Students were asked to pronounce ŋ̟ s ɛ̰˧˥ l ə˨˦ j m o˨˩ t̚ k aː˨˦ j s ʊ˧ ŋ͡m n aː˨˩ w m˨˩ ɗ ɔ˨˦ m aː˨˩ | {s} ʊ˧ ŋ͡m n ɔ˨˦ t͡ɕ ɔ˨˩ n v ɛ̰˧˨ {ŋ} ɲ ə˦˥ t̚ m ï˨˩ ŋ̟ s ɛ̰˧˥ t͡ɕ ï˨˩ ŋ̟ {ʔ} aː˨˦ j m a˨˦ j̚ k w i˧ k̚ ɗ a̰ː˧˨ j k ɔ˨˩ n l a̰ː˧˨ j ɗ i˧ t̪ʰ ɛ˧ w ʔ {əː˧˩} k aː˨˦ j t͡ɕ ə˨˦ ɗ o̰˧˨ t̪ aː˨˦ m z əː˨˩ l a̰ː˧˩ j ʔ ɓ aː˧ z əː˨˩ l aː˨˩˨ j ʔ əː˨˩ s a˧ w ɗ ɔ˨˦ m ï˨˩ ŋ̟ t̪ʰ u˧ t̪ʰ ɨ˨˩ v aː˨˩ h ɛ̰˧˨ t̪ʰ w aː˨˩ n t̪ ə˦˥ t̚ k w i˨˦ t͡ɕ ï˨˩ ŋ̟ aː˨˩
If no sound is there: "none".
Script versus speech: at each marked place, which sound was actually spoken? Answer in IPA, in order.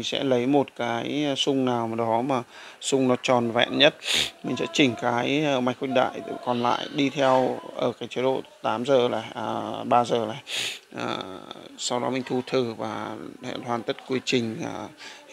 s, n, k, əː˧˩

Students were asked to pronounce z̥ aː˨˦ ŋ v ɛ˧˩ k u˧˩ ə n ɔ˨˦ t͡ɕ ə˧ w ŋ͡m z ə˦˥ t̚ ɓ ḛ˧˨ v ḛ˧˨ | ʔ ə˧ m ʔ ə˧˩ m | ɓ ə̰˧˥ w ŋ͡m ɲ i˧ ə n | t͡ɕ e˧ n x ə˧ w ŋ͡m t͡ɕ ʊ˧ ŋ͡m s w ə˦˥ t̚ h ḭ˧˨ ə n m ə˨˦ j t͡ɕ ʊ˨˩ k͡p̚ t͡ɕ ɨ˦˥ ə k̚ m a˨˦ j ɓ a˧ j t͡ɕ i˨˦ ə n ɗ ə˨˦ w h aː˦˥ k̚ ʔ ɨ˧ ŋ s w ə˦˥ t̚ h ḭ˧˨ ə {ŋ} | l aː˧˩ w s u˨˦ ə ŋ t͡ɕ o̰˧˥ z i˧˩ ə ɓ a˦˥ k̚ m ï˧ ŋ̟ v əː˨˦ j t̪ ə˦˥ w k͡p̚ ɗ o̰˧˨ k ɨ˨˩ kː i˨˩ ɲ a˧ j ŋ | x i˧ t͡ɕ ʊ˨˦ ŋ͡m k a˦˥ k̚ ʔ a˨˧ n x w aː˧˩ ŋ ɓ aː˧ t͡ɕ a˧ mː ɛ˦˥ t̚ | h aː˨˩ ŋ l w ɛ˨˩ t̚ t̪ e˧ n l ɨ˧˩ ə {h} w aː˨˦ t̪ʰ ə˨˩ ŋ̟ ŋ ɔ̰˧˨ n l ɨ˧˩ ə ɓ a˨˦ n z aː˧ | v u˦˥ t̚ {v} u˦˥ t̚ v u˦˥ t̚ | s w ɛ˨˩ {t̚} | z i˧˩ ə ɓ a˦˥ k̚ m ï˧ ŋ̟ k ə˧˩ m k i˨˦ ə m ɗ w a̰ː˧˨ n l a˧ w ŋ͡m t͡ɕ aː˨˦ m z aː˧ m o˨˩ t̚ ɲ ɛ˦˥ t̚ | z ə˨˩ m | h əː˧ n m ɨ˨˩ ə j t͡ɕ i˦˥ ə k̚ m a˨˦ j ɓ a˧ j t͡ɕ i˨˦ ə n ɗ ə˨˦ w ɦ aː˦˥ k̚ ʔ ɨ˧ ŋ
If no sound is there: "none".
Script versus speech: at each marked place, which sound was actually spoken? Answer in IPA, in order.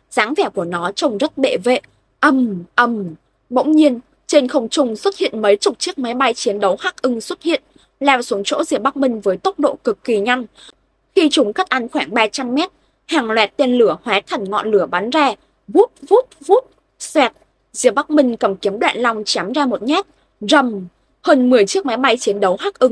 n, h, v, t̚

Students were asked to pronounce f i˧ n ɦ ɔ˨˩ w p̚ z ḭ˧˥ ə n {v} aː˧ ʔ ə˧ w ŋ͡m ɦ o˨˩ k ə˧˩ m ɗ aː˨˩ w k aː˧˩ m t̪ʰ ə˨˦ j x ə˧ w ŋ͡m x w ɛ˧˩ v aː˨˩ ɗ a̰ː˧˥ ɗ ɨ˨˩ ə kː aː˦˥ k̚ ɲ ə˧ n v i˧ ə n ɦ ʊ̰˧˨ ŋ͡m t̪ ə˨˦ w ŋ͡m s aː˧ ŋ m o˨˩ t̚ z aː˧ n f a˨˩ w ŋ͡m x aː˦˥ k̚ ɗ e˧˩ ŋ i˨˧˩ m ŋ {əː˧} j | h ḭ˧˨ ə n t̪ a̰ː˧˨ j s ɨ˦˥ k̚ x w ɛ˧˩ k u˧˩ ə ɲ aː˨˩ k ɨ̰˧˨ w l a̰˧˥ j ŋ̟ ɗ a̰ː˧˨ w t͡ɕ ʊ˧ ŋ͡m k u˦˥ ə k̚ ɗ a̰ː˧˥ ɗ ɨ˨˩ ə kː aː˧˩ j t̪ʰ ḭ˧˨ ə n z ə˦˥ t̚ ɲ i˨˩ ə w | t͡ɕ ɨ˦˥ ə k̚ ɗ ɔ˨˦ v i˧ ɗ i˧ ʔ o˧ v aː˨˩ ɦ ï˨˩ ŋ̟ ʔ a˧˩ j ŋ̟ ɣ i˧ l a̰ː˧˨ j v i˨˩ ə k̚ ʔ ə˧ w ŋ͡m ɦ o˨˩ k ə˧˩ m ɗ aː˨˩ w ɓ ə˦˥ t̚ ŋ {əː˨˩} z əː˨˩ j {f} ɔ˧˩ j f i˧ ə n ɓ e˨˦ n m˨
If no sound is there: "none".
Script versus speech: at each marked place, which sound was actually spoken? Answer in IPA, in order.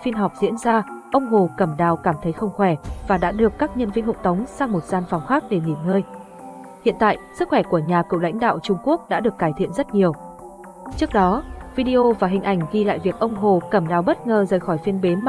z, əː˧, əː˨˩, x

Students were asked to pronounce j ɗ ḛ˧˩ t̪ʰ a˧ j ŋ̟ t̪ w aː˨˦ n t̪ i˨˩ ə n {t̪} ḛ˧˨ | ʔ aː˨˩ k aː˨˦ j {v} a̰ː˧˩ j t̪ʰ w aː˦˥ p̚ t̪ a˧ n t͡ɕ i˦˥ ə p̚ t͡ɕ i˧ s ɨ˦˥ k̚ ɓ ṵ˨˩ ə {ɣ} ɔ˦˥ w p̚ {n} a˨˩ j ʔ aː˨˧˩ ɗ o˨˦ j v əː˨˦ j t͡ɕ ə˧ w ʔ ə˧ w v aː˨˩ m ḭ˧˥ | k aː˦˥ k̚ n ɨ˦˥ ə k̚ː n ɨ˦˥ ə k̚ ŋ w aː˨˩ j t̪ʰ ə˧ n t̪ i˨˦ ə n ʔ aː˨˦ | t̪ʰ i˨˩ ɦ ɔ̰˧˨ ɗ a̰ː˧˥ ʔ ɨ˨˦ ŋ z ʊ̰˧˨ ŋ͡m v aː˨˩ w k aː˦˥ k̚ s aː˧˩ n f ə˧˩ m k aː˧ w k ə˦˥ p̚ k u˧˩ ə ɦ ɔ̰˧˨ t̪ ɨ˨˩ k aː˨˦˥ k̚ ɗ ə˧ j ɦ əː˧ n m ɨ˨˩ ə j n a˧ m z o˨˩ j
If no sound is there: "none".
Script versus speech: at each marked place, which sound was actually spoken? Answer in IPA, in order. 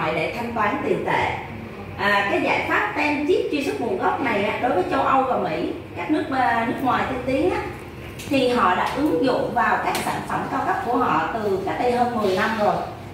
t̪, z, ɣ, n

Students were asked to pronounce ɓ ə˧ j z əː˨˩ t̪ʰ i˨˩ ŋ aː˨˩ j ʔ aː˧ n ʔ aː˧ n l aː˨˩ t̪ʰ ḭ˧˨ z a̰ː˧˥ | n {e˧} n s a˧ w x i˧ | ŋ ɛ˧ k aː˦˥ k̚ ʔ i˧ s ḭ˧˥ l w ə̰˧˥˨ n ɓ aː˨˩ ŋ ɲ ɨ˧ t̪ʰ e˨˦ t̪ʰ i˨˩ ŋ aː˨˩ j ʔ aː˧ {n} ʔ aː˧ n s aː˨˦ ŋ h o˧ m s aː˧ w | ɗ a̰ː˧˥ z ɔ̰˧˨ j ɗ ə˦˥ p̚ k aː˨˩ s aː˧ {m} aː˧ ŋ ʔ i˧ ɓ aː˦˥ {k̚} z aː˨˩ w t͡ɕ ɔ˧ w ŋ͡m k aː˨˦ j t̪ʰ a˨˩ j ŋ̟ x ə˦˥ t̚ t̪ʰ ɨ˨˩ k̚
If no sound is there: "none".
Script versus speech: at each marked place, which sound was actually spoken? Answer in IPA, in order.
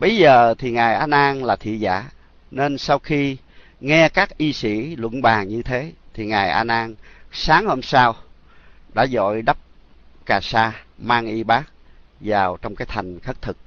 e˧, n, m, k̚

